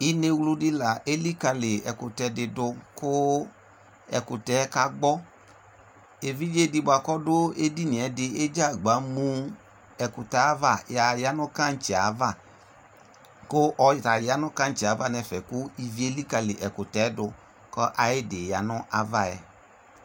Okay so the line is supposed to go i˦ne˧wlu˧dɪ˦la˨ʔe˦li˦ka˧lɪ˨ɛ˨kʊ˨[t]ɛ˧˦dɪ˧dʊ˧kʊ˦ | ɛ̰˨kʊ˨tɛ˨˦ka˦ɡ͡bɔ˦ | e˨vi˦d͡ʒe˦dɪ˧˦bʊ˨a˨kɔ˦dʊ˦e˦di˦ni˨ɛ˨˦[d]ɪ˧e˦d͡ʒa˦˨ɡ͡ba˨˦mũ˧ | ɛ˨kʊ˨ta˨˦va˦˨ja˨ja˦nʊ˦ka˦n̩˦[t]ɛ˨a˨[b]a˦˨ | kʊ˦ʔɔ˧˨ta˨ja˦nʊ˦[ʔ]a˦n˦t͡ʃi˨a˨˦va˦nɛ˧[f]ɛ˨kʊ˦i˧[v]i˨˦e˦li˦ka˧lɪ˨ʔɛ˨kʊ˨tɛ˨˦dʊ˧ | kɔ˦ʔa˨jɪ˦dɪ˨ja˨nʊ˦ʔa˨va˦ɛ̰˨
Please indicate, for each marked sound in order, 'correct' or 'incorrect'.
correct, correct, incorrect, incorrect, incorrect, correct, correct

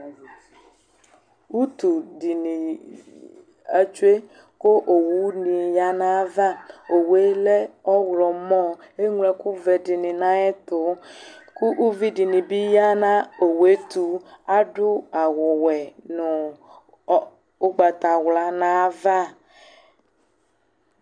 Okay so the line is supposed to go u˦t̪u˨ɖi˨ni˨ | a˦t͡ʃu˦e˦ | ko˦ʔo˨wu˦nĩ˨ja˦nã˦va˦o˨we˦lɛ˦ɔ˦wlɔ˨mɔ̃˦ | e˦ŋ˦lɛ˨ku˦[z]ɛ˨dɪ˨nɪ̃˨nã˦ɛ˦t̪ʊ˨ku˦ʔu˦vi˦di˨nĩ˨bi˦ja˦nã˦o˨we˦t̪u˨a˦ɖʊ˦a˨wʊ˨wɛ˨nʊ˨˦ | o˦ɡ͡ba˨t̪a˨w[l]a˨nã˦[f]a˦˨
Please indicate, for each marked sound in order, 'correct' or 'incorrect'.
incorrect, correct, incorrect

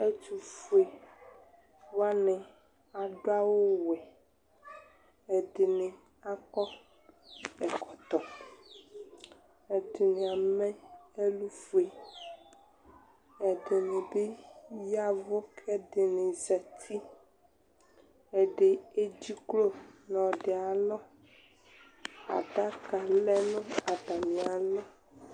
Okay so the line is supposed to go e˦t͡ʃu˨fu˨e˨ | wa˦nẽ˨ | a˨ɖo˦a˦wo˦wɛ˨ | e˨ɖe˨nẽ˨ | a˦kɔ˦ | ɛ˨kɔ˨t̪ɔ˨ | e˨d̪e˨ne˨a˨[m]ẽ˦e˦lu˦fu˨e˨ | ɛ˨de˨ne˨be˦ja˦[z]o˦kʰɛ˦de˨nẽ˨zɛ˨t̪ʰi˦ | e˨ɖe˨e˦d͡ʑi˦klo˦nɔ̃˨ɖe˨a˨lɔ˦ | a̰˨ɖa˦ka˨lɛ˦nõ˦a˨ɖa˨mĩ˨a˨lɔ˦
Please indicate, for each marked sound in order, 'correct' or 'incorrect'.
correct, incorrect

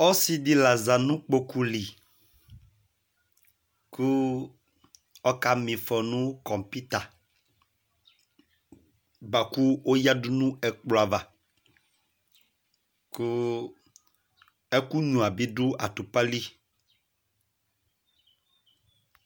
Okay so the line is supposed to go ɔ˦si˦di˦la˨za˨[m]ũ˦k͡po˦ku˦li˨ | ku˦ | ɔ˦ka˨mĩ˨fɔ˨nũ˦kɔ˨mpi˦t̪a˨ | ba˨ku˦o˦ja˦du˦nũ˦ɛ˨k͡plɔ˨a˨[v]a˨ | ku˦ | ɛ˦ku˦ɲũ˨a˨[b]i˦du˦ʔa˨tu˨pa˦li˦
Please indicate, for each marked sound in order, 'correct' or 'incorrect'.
incorrect, correct, correct

